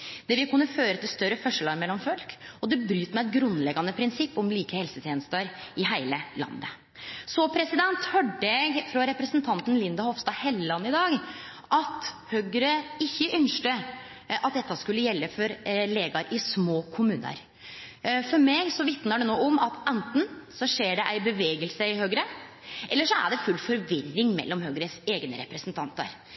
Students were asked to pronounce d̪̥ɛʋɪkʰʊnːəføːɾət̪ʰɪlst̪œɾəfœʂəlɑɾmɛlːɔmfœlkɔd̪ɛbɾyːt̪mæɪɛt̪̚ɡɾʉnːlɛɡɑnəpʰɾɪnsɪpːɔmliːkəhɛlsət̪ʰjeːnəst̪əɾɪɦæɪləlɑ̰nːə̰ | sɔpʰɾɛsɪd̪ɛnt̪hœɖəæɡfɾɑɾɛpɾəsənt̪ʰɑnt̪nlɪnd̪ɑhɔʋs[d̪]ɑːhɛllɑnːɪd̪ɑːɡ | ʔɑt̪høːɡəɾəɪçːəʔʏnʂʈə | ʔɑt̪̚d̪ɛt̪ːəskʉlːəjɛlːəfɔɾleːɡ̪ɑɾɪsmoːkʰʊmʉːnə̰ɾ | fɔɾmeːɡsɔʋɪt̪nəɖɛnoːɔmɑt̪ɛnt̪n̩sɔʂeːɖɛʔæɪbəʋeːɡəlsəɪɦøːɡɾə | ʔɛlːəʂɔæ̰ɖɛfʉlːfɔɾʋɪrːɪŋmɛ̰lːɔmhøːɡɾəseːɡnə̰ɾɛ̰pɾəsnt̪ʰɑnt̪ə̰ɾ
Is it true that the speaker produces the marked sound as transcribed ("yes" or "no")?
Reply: no